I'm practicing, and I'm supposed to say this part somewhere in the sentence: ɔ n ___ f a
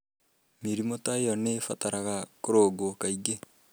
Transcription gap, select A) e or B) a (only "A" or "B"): A